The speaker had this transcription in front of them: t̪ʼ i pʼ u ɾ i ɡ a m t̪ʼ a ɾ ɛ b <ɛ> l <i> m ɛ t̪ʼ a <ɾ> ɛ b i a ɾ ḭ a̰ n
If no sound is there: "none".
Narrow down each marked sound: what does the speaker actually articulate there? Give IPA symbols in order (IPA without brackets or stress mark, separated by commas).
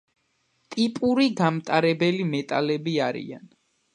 ɛ, i, l